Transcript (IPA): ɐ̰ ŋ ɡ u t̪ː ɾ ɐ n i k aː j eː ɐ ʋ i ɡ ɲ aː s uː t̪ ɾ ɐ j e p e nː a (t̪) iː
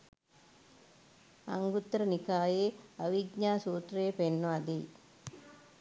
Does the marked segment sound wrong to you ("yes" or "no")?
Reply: yes